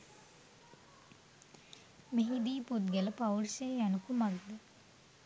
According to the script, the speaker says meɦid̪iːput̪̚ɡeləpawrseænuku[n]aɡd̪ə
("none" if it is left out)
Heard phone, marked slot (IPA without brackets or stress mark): m